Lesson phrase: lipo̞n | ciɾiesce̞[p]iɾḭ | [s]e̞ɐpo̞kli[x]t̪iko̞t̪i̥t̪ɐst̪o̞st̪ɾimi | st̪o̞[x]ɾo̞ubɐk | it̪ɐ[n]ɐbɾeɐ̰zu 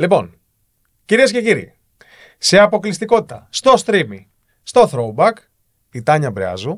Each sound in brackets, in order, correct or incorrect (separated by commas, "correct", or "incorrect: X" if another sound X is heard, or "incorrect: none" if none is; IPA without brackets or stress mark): incorrect: c, correct, incorrect: s, incorrect: θ, incorrect: ɲ